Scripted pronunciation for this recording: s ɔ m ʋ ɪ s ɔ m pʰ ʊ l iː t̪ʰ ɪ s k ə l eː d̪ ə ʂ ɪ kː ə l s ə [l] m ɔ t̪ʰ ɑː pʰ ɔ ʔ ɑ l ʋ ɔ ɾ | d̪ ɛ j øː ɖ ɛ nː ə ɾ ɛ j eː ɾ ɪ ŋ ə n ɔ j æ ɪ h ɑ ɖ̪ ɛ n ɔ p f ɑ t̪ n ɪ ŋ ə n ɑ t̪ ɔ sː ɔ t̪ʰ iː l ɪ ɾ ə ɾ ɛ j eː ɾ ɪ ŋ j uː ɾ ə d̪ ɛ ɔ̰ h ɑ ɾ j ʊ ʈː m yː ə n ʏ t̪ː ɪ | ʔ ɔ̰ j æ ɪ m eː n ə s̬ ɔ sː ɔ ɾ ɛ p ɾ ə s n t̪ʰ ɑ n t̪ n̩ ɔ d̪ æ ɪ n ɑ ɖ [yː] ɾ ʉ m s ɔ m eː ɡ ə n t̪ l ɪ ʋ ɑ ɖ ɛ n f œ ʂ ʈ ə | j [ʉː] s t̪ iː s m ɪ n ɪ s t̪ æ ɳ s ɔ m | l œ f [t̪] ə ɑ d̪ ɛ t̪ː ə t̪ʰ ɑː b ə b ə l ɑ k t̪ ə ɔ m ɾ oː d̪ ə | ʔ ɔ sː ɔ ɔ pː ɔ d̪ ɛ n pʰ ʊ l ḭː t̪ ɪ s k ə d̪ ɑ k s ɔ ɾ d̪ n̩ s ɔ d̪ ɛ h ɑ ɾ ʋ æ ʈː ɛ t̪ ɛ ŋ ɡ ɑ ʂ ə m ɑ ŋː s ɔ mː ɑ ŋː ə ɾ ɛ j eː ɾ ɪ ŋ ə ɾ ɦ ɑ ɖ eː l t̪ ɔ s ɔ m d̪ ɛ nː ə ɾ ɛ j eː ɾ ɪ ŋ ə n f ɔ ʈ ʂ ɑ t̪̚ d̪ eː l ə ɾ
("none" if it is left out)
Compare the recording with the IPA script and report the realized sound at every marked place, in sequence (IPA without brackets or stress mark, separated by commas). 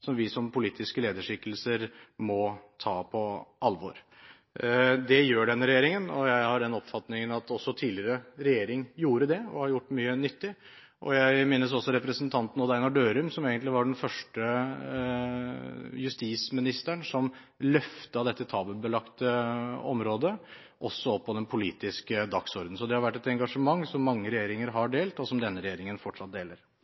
ɾ, øː, ʉ, t̪